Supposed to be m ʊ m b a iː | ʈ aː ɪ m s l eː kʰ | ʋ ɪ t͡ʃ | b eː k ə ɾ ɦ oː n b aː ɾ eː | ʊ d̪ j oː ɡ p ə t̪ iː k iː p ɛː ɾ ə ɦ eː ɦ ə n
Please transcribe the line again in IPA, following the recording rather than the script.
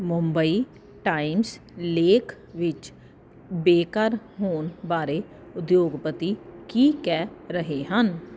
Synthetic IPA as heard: m ʊ m b ə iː | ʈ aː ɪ m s l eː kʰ | ʋ ɪ t͡ʃ | b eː k ə ɾ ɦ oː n b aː ɾ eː | ʊ d̪ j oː ɡ p ə t̪ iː k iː k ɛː ɾ ə ɦ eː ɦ ə n